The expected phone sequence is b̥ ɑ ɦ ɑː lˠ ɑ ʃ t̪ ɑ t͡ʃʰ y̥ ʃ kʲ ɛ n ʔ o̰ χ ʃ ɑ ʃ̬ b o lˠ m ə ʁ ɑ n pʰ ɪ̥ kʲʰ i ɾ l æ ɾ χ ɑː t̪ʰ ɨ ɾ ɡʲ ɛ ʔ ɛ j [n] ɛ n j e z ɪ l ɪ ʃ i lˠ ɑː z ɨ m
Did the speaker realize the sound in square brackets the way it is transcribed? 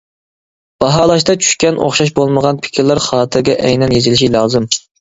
yes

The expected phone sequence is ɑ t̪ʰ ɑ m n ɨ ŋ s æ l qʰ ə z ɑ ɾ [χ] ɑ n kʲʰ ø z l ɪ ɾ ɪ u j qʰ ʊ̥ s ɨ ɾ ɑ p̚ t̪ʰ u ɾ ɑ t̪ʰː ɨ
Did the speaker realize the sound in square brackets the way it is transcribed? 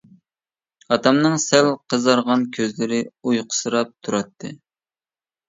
no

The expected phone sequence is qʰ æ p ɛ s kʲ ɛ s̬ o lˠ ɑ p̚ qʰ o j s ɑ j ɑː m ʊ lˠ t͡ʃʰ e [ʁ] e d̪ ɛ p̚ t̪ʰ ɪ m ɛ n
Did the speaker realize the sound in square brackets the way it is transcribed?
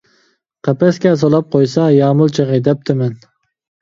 yes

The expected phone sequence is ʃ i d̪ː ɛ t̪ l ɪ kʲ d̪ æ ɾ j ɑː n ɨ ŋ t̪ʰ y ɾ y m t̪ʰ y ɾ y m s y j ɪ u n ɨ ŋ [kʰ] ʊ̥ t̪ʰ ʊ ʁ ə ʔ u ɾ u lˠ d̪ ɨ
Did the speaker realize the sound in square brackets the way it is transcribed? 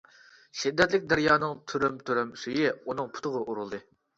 no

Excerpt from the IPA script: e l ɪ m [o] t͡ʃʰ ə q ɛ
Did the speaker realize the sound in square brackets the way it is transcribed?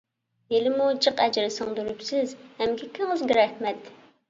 no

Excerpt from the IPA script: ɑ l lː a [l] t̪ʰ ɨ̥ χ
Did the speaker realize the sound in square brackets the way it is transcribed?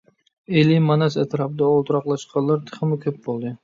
no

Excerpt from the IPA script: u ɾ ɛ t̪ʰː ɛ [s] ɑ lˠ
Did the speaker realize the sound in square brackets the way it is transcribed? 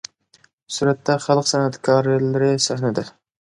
no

